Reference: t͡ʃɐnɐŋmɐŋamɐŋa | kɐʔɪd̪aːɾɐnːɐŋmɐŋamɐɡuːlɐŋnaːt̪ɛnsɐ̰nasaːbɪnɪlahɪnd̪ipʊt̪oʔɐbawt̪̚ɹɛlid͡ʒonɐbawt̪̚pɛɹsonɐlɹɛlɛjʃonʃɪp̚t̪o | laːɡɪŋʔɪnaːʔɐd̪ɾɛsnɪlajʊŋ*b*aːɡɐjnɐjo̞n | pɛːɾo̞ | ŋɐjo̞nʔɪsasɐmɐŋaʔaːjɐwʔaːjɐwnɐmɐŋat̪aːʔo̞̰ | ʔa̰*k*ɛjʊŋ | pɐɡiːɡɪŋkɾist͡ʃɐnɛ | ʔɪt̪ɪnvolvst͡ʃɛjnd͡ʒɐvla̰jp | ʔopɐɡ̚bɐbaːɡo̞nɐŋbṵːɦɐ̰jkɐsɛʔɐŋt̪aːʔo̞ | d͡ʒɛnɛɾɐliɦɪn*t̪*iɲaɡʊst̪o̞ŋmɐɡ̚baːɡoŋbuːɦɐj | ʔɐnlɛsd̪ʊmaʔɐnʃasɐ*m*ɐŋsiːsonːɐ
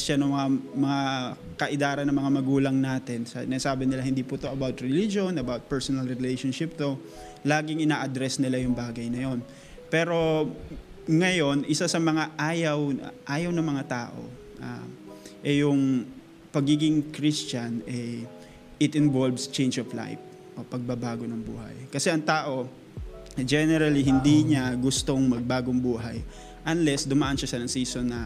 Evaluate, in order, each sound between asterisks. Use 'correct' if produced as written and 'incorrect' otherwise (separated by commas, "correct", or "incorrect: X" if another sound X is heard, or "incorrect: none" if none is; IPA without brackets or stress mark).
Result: correct, incorrect: ʔ, incorrect: d̪, incorrect: n